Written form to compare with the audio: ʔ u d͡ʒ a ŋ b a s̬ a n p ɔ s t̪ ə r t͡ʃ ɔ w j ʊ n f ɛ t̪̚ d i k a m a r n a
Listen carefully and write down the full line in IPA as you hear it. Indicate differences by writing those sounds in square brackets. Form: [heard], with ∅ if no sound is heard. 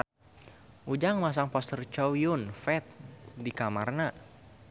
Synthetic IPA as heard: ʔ u d͡ʒ a ŋ [m] a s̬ a [ŋ] p ɔ s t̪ ə r t͡ʃ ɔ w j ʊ n f ɛ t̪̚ d i k a m a r n a